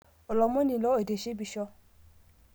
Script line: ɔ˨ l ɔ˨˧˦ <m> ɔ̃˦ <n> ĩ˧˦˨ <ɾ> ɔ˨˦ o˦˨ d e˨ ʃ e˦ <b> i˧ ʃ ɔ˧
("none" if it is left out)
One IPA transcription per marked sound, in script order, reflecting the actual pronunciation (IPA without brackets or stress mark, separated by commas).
m, n, l, b